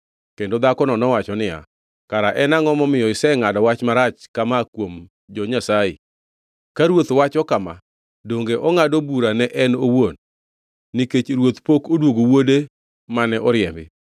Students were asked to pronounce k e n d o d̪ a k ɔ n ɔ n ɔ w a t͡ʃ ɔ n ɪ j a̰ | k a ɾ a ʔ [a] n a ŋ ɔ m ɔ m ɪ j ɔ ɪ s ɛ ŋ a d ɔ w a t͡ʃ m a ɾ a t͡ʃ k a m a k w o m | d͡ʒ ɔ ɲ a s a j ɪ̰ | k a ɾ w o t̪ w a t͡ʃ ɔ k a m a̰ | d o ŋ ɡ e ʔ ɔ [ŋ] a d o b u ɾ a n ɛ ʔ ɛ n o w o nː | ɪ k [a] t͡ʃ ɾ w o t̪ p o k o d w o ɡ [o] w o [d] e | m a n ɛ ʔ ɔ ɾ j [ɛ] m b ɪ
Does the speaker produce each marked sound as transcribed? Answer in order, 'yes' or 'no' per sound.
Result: no, yes, no, yes, yes, yes

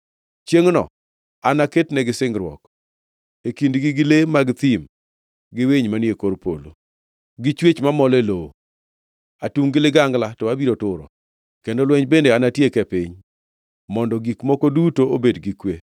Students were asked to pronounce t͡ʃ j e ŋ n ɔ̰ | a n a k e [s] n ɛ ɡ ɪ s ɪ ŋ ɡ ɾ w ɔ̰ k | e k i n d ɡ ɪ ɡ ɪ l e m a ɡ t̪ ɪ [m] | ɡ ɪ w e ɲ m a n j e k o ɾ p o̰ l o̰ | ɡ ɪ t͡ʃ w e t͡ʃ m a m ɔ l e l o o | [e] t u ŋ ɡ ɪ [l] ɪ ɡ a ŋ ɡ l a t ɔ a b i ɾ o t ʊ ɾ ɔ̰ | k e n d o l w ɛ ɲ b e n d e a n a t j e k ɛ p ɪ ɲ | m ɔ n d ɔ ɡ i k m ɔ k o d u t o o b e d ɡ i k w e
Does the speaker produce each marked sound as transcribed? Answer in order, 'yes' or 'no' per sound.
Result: no, yes, no, yes

